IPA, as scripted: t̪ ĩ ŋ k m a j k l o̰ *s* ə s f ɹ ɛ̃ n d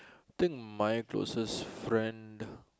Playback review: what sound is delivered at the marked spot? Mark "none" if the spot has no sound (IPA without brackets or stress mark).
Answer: s